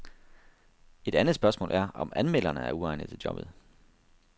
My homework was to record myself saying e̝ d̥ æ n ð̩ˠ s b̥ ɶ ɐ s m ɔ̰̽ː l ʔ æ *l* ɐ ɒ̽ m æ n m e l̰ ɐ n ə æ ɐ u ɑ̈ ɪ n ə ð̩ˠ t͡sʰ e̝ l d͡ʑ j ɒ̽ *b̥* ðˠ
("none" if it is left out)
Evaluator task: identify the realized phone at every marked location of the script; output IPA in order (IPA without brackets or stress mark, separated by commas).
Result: none, b̥